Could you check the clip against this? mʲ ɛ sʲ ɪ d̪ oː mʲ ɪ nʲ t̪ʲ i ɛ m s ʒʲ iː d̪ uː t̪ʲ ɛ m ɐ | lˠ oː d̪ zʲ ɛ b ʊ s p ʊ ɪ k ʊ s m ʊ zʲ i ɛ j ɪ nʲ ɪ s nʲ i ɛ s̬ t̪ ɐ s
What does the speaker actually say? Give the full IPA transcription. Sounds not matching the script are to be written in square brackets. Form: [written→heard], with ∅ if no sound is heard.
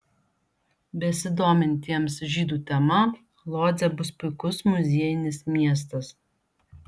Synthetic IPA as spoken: [mʲ→bʲ] ɛ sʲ ɪ d̪ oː mʲ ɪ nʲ t̪ʲ i ɛ m s ʒʲ iː d̪ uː t̪ʲ ɛ m ɐ | lˠ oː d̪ zʲ ɛ b ʊ s p ʊ ɪ k ʊ s m ʊ zʲ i ɛ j ɪ nʲ ɪ s [nʲ→mʲ] i ɛ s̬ t̪ ɐ s